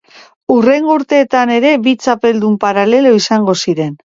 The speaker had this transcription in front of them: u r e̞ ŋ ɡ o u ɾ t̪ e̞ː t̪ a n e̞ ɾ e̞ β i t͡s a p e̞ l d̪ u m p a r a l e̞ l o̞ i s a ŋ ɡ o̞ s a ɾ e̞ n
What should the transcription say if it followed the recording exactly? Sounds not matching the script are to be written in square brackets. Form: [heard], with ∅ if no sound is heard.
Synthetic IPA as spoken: u r e̞ ŋ ɡ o u ɾ t̪ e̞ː t̪ a n e̞ ɾ e̞ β i t͡s a p e̞ l d̪ u m p a [ɾ] a l e̞ l o̞ i s a ŋ ɡ o̞ s [i] ɾ e̞ n